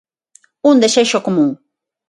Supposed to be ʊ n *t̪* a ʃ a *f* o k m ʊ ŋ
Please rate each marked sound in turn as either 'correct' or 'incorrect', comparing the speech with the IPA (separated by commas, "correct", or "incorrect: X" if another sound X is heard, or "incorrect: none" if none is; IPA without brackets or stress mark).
incorrect: d̪, incorrect: ʃ